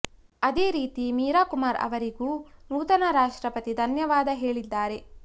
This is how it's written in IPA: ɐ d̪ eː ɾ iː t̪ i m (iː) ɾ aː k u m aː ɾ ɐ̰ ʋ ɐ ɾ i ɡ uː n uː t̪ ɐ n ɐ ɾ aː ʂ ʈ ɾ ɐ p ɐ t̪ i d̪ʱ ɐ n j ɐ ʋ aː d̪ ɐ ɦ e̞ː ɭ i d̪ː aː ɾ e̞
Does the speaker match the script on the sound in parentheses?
yes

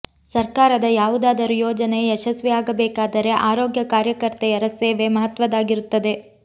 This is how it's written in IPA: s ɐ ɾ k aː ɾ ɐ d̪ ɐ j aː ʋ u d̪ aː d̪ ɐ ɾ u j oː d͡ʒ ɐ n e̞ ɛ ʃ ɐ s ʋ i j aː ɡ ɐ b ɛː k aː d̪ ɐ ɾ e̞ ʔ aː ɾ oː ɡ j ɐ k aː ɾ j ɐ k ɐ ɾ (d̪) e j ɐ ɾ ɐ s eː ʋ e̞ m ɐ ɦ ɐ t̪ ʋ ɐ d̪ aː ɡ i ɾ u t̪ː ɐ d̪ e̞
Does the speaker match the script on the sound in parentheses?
no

